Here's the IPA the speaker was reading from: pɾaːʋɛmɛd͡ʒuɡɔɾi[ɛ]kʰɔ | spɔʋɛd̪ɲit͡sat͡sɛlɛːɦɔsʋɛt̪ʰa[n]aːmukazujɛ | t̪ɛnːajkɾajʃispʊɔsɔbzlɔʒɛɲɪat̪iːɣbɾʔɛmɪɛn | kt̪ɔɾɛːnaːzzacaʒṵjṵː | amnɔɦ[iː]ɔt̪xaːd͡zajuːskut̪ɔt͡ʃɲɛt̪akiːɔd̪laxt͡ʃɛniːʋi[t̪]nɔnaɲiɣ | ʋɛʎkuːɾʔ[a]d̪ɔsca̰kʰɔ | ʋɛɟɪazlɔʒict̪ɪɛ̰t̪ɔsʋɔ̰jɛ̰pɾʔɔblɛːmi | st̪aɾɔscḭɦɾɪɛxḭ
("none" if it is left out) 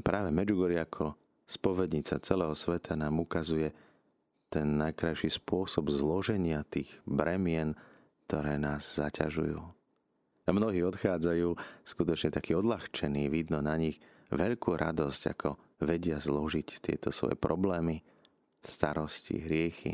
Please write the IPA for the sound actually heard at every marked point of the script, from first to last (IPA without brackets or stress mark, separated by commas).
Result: a, n, iː, d̪, a